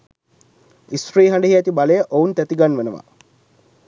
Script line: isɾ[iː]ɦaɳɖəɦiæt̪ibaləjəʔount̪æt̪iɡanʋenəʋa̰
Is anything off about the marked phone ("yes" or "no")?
no